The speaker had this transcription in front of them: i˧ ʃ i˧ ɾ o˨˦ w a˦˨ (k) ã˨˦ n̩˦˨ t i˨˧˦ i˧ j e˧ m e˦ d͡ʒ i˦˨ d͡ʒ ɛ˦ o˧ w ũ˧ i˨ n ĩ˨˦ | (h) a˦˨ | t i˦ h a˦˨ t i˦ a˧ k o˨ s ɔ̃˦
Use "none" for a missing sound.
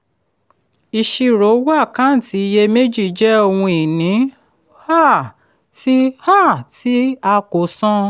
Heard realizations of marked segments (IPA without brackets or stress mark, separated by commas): k, h